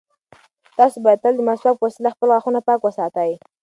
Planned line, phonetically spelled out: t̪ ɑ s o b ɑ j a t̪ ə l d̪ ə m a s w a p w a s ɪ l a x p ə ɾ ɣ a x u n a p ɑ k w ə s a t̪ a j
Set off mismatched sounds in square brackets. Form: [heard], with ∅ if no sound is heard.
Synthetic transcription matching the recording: t̪ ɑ s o b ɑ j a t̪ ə l d̪ ə m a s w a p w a s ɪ l a x p ə [l] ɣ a x u n a p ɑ k w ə s [ɑ] t̪ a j